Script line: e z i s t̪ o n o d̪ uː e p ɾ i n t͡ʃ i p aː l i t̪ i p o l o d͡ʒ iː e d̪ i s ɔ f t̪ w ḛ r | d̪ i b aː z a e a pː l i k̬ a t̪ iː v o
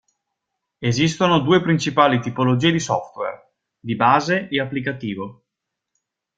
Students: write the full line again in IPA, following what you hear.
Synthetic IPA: e z i s t̪ o n o d̪ uː e p ɾ i n t͡ʃ i p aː l i t̪ i p o l o d͡ʒ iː e d̪ i s ɔ f t̪ w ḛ r | d̪ i b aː z e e a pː l i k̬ a t̪ iː v o